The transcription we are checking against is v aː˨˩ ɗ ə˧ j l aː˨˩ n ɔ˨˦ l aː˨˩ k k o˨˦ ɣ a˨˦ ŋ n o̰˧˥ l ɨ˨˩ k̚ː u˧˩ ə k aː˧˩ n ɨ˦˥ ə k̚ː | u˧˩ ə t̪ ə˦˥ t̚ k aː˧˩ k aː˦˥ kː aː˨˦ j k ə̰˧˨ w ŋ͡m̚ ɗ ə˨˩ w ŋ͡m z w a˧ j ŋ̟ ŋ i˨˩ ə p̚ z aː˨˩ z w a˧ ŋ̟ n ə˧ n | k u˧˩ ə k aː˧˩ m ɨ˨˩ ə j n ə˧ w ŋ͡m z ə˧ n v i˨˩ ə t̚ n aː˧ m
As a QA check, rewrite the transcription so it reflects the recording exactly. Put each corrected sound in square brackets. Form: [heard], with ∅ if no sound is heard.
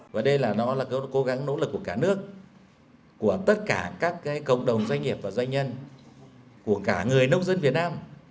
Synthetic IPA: v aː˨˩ ɗ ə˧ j l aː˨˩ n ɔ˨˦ l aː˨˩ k k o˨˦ ɣ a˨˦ ŋ n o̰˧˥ l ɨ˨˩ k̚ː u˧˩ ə k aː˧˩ n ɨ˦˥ ə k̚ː | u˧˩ ə t̪ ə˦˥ t̚ k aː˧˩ k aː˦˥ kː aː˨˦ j k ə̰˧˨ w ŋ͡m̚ ɗ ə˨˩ w ŋ͡m z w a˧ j ŋ̟ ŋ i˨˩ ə p̚ [v] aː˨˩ z w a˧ ŋ̟ [ɲ] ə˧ n | k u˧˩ ə k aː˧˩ [ŋ] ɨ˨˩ ə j n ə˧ w ŋ͡m z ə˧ n v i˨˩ ə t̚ n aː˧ m